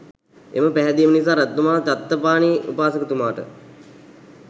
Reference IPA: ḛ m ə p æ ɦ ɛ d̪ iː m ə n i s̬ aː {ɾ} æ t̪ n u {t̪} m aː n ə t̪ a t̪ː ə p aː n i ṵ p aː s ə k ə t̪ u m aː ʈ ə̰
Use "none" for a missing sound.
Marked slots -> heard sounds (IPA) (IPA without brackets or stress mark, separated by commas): ɾ, none